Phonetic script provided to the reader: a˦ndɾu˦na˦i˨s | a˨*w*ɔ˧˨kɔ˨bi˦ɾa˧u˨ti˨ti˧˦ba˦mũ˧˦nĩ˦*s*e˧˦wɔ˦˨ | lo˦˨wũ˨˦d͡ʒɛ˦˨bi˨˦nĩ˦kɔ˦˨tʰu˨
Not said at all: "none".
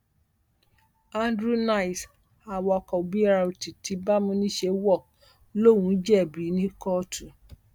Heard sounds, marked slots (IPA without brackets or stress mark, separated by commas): w, ʃ